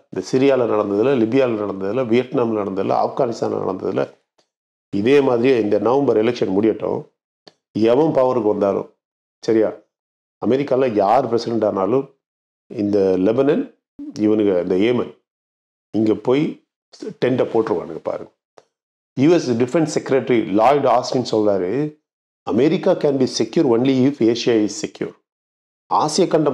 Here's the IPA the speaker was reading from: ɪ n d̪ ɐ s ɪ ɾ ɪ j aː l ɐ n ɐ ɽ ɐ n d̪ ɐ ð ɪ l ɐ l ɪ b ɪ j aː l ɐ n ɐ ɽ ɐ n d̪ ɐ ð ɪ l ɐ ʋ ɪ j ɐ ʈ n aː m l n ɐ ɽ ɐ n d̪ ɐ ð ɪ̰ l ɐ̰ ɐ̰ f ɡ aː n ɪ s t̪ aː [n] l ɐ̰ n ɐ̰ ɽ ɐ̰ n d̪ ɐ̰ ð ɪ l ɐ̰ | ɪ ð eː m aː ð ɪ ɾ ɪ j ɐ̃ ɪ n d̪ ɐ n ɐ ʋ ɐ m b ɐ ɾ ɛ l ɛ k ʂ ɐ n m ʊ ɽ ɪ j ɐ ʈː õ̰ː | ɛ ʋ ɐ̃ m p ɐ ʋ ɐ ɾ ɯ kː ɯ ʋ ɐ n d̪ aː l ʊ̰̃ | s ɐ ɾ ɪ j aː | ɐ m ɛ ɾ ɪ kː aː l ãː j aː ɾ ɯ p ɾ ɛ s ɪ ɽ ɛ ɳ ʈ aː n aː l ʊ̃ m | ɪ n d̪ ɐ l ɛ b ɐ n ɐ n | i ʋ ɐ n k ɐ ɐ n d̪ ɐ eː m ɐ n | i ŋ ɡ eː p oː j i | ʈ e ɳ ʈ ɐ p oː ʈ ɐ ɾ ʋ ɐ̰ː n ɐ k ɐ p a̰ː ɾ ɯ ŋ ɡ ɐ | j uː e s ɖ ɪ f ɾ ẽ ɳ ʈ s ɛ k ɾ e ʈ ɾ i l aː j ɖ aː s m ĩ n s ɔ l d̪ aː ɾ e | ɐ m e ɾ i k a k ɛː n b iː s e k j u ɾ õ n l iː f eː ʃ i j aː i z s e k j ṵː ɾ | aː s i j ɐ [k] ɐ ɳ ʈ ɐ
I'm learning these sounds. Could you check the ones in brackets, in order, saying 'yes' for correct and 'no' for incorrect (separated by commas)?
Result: yes, yes